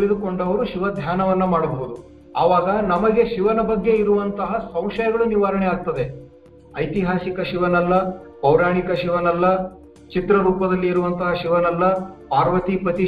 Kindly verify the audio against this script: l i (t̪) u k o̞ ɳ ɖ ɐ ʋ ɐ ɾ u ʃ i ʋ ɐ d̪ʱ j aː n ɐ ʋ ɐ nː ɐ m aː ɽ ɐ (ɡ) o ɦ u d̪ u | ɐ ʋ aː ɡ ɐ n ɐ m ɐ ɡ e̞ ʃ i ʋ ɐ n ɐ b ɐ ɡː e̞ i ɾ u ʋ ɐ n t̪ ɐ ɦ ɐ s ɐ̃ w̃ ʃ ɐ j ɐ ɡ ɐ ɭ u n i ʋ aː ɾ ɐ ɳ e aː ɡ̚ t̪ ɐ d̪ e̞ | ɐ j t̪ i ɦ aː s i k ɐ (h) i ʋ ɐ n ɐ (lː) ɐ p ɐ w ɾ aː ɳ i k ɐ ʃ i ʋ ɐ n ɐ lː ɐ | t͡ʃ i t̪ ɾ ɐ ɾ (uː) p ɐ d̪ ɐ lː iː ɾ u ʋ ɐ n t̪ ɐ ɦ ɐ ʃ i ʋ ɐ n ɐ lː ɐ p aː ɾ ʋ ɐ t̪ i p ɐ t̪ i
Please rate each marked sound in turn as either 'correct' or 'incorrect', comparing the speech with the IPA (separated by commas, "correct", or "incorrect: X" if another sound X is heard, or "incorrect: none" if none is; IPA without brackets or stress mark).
incorrect: d̪, incorrect: b, incorrect: ʃ, correct, correct